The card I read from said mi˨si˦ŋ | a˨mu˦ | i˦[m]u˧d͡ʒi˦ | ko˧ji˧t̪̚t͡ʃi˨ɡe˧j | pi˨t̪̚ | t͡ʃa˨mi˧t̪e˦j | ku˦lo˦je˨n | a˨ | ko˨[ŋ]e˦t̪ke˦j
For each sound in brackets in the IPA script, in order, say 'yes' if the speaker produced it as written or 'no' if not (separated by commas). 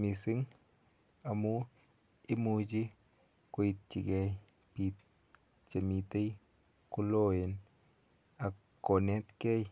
yes, no